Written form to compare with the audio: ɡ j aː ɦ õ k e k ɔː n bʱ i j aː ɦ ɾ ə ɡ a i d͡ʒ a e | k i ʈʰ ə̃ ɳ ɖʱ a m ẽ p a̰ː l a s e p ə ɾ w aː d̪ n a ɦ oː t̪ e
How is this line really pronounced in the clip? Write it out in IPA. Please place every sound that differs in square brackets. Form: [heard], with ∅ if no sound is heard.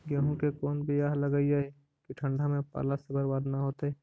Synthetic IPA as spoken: ɡ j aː ɦ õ k e k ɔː n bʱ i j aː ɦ [l] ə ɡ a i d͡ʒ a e | k i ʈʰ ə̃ ɳ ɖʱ a m ẽ p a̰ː l a s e [b] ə ɾ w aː d̪ n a ɦ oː t̪ e